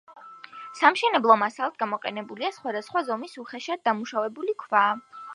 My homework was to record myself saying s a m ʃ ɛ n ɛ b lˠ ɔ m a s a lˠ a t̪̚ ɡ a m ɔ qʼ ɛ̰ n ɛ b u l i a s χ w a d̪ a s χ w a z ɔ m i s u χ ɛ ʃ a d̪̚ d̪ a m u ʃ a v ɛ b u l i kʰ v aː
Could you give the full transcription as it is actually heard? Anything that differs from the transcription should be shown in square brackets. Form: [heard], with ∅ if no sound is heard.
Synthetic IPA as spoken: s a m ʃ ɛ n ɛ b lˠ ɔ m a s a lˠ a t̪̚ ɡ a m ɔ qʼ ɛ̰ n ɛ b u l i a s χ w a d̪ a s χ w a z ɔ m i s u χ ɛ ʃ a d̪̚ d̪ a m u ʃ a v ɛ b u l i kʰ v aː